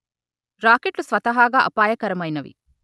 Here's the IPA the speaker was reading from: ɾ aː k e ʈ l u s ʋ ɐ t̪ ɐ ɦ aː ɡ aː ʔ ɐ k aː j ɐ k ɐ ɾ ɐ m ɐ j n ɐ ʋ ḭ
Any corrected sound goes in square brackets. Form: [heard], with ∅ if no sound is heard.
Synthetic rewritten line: ɾ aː k e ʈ l u s ʋ ɐ t̪ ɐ ɦ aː ɡ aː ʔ ɐ [p] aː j ɐ k ɐ ɾ ɐ m ɐ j n ɐ ʋ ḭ